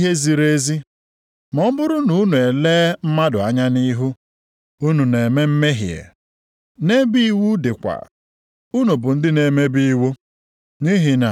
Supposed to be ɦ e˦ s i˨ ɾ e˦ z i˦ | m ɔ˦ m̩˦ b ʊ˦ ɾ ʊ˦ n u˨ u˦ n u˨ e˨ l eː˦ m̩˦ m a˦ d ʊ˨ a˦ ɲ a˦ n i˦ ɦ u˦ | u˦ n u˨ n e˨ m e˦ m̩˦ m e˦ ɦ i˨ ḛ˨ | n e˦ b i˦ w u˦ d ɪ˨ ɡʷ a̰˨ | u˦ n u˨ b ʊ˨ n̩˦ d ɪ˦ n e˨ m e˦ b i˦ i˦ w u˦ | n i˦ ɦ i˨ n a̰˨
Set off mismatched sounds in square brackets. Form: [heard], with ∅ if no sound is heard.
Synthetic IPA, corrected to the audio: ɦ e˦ [z] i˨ ɾ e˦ z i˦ | m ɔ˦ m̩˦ b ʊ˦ ɾ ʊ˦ n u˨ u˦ n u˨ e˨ l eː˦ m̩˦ m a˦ d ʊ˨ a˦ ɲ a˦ n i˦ ɦ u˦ | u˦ n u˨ n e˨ m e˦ m̩˦ m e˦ ɦ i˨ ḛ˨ | n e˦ b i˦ w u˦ d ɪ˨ [kʷ] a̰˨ | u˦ n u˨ b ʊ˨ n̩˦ d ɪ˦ n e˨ m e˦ b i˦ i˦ w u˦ | n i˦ ɦ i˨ n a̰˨